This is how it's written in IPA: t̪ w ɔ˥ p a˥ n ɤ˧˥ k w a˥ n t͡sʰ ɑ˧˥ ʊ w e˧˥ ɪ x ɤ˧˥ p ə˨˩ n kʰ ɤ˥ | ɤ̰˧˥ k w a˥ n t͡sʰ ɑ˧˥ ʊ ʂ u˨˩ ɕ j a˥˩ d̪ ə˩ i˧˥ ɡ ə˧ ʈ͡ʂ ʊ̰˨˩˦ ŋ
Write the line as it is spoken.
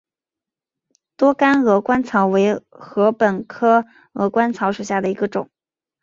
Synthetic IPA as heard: t̪ w ɔ˥ k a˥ n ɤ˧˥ k w a˥ n t͡sʰ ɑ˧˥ ʊ w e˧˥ ɪ x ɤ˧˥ p ə˨˩ n kʰ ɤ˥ | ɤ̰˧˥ k w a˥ n t͡sʰ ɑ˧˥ ʊ ʂ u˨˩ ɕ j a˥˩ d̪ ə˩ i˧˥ ɡ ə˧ ʈ͡ʂ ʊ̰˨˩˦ ŋ